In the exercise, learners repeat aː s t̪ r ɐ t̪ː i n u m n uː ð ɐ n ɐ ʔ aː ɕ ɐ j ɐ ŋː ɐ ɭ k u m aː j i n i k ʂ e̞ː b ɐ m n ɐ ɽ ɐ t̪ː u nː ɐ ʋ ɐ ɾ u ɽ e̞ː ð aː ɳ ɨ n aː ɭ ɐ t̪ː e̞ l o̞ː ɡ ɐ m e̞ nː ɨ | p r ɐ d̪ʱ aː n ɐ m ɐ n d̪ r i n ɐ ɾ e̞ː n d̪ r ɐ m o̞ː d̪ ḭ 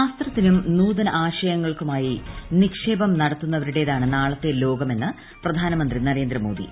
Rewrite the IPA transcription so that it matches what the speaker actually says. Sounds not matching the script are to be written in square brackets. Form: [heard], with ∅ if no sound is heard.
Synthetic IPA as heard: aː s t̪ r ɐ t̪ː i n u m n uː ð ɐ n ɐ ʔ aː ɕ ɐ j ɐ ŋː ɐ ɭ k u m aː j i n i k ʂ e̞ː b ɐ m n ɐ ɽ ɐ t̪ː u nː ɐ ʋ ɐ ɾ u ɽ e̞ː ð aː ɳ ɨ n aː ɭ ɐ t̪ː e̞ l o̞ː ɡ ɐ m e̞ nː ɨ | p r ɐ d̪ʱ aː n ɐ m ɐ n d̪ r i n ɐ ɾ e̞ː n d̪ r ɐ m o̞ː d̪ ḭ

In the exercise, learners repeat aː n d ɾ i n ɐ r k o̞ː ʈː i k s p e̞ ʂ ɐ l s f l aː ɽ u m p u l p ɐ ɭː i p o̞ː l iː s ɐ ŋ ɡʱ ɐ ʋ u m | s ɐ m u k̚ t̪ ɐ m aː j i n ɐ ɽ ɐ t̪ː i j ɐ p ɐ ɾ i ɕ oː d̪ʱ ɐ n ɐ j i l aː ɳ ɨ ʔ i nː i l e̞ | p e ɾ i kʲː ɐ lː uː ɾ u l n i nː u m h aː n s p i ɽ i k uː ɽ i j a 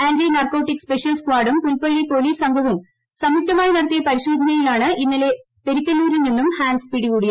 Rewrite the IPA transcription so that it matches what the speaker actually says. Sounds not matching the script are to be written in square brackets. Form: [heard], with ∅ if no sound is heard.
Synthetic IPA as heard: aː n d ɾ i n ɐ r k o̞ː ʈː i k s p e̞ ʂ ɐ l s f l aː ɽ u m p u l p ɐ ɭː i p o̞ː l iː s ɐ ŋ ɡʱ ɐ ʋ u m | s ɐ m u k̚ t̪ ɐ m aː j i n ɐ ɽ ɐ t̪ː i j ɐ p ɐ ɾ i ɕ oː d̪ʱ ɐ n ɐ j i l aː ɳ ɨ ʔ i nː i l e̞ | p e ɾ i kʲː ɐ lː uː ɾ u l n i nː u m h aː n s p i ɽ i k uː ɽ i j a

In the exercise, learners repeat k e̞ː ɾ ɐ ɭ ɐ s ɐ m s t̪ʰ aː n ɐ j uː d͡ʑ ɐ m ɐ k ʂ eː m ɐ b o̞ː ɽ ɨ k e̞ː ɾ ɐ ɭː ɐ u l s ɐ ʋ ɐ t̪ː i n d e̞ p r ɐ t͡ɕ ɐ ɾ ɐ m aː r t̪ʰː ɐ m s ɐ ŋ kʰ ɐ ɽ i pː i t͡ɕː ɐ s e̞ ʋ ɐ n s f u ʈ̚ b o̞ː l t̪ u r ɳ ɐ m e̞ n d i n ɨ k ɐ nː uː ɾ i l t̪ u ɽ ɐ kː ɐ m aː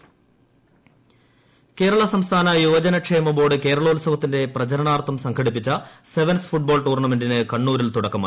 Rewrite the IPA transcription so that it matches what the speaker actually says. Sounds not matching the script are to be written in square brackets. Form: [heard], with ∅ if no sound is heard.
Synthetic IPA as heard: k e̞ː ɾ ɐ ɭ ɐ s ɐ m s t̪ʰ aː n ɐ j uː d͡ʑ ɐ [n] ɐ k ʂ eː m ɐ b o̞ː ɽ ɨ k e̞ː ɾ ɐ [ɭ] ɐ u l s ɐ ʋ ɐ t̪ː i n d e̞ p r ɐ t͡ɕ ɐ ɾ ɐ [ɳ] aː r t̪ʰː ɐ m s ɐ ŋ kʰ ɐ ɽ i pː i t͡ɕː ɐ s e̞ ʋ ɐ n s f u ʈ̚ b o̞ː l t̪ [uː] r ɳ ɐ m e̞ n d i n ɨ k ɐ [ɳː] uː ɾ i l t̪ u ɽ ɐ kː ɐ m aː

